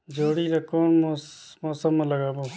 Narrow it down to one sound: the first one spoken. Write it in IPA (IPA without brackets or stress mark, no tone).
d͡ʒ